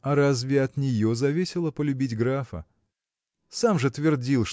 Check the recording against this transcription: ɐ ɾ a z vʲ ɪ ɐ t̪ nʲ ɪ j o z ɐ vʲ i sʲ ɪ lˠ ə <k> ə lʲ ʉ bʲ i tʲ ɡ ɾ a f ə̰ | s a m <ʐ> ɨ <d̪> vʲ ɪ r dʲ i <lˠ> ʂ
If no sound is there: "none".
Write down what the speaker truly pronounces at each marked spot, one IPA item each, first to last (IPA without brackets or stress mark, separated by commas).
p, ʐ, t̪, lˠ